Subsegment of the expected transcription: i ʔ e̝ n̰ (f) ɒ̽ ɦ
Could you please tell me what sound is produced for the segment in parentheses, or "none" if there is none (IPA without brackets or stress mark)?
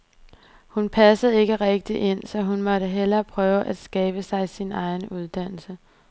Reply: s